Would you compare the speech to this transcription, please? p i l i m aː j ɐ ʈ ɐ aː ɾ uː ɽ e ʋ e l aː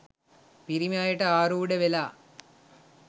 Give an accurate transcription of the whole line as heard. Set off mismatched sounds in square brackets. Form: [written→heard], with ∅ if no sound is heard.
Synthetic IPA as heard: p i [l→ɾ] i m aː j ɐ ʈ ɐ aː ɾ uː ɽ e ʋ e l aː